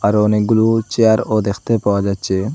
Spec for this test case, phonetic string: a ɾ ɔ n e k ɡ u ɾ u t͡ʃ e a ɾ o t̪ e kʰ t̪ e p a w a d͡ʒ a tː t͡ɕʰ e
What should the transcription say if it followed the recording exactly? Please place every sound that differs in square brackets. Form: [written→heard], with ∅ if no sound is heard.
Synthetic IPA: a ɾ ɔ n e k ɡ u [ɾ→l] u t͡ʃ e a ɾ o [t̪→d̪] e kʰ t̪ e p a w a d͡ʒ a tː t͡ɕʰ e